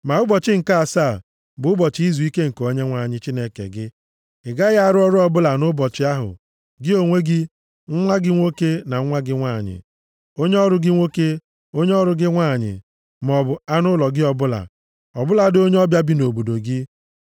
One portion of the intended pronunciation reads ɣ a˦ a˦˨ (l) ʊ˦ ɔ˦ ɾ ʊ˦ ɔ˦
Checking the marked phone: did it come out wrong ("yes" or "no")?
yes